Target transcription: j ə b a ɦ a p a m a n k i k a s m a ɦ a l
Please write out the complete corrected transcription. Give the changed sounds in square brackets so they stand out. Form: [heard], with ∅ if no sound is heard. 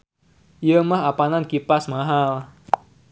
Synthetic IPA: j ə [m] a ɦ a p a [n] a n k i [p] a s m a ɦ a l